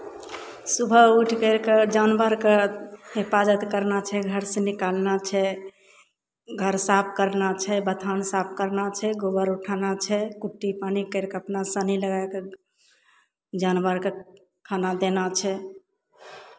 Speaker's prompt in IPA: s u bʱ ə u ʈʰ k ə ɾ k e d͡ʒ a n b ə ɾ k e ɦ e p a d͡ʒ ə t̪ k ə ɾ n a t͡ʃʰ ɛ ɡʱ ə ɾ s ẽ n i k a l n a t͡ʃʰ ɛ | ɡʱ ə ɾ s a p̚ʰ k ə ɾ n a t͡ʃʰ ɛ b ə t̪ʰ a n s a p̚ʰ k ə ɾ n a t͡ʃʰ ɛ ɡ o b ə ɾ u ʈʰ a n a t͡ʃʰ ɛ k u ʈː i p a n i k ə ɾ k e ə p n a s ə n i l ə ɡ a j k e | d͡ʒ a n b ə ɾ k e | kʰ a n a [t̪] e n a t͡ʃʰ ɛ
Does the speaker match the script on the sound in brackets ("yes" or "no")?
no